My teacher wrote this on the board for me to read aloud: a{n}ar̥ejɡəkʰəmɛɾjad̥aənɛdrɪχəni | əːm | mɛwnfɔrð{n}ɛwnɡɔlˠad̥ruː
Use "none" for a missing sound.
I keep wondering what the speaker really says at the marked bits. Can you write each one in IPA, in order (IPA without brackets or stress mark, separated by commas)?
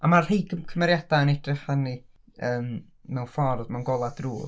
m, m